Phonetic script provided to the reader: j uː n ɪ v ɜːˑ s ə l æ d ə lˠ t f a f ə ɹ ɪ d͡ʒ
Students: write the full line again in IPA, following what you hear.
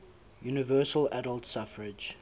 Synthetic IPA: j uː n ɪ v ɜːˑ s ə l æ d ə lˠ t s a f ə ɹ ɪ d͡ʒ